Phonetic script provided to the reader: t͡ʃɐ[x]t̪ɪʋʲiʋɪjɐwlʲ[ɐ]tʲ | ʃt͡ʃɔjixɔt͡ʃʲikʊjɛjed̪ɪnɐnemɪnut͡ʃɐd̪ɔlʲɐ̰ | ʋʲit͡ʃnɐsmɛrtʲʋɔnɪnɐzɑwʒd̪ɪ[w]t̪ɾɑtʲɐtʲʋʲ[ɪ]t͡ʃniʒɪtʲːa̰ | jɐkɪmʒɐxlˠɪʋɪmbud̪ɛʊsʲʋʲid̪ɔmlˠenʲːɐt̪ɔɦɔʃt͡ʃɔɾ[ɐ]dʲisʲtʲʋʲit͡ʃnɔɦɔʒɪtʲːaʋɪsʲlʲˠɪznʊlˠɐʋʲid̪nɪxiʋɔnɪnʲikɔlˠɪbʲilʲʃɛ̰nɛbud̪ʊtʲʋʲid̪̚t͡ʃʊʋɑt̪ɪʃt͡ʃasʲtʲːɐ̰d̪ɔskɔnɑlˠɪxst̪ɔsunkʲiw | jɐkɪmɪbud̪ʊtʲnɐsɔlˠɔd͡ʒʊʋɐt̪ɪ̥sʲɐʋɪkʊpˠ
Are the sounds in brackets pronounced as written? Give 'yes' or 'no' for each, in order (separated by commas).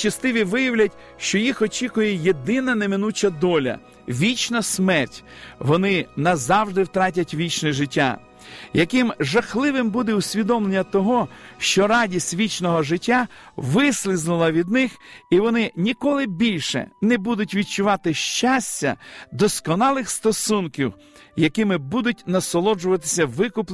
no, yes, yes, no, no